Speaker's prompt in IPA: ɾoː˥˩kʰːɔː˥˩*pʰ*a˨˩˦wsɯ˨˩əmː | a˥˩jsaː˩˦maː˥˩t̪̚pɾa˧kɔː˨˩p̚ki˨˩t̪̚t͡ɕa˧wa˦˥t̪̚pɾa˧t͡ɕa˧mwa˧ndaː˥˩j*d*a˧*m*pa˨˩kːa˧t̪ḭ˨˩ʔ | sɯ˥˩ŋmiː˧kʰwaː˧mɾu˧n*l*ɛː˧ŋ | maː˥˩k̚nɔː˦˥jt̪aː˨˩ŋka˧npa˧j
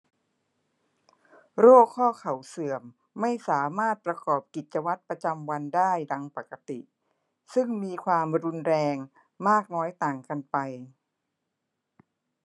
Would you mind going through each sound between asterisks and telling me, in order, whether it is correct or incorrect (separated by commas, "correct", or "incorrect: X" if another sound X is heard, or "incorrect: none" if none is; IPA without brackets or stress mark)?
incorrect: kʰ, correct, incorrect: ŋ, incorrect: ɾ